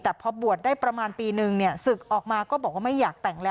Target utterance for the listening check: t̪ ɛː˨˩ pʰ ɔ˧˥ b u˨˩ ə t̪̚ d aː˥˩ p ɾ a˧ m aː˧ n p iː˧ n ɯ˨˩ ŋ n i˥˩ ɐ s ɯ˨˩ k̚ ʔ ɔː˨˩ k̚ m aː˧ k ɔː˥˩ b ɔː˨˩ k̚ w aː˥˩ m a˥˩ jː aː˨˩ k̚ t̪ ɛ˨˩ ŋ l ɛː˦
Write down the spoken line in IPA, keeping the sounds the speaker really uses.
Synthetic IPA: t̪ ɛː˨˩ pʰ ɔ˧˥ b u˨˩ ə t̪̚ d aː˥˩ p ɾ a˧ m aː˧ n p iː˧ n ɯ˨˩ ŋ n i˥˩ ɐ s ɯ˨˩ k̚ ʔ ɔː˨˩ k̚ m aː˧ k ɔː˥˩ b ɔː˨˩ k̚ w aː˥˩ m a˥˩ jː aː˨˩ k̚ t̪ ɛ˨˩ ŋ l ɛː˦